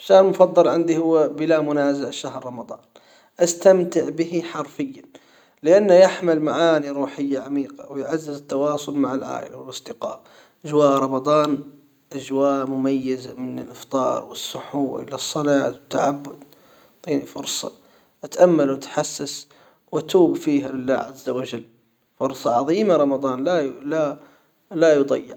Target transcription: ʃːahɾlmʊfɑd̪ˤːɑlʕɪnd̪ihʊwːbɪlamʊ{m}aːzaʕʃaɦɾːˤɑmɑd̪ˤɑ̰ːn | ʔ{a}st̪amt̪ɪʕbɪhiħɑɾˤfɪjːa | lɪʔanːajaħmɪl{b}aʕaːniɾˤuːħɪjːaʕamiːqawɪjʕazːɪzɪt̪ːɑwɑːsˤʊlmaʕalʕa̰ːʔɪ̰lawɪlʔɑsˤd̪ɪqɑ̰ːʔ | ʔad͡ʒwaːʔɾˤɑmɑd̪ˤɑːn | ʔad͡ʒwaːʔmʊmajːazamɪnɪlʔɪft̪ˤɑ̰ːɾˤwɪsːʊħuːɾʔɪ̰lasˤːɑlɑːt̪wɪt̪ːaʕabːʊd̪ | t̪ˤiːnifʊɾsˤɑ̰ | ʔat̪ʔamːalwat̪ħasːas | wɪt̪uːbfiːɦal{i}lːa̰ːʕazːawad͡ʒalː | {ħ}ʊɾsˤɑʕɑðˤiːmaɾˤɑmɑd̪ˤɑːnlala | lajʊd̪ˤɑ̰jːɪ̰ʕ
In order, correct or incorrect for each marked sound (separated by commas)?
incorrect, correct, incorrect, incorrect, incorrect